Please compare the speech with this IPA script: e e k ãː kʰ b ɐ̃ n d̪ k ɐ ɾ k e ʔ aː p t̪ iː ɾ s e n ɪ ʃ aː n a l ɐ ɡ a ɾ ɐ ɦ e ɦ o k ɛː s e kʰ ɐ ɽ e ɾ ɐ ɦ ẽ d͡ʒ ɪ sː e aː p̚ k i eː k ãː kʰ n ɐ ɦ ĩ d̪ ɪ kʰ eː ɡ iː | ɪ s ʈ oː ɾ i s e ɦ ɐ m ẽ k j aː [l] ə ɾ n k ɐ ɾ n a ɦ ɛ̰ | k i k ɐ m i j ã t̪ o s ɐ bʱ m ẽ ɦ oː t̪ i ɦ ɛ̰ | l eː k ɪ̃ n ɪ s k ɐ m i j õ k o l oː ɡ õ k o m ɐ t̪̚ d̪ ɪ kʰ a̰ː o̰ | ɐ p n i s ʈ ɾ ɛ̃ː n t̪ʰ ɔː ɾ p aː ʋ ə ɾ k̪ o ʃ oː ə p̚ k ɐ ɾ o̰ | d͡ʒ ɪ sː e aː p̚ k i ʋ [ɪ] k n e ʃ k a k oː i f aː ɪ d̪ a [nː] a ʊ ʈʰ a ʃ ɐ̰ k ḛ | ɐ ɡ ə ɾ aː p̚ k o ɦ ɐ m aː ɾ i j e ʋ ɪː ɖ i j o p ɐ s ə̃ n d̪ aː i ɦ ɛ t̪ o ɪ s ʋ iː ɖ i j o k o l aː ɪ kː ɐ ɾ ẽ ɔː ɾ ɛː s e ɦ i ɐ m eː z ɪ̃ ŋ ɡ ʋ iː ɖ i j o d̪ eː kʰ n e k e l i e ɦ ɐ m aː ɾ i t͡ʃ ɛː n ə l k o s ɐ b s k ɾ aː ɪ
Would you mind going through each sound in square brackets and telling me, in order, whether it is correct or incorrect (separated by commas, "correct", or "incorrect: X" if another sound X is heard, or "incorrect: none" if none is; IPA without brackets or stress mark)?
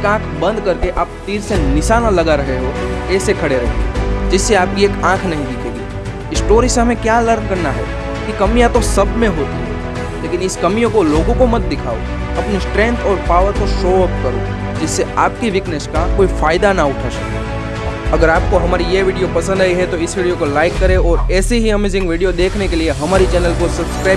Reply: correct, correct, incorrect: n